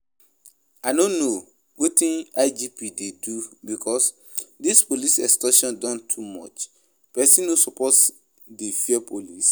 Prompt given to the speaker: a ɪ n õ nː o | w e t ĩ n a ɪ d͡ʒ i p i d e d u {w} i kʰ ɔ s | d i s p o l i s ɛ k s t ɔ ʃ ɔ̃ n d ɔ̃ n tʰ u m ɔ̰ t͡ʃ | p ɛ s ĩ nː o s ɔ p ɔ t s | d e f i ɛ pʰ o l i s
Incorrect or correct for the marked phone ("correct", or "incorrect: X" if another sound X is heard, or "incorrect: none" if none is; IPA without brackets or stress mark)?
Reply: incorrect: b